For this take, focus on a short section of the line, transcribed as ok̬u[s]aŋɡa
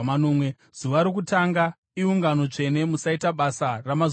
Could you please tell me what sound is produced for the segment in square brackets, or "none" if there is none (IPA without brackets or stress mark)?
t